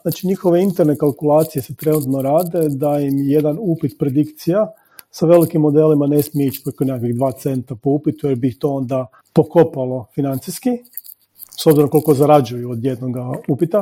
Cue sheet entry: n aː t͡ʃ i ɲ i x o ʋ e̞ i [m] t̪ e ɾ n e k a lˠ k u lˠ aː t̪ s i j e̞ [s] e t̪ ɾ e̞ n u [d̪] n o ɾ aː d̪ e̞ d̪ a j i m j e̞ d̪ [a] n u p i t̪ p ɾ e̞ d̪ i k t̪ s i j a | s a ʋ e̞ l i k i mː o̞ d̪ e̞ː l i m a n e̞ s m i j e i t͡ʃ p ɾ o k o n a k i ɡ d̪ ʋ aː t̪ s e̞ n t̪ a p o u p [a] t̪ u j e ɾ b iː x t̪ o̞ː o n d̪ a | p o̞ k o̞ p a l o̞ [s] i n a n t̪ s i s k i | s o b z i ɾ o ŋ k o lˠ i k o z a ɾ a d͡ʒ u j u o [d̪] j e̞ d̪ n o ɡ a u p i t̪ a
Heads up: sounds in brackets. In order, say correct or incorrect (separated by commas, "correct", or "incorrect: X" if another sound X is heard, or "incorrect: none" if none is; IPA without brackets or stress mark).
incorrect: n, correct, incorrect: t̪, correct, incorrect: i, incorrect: f, correct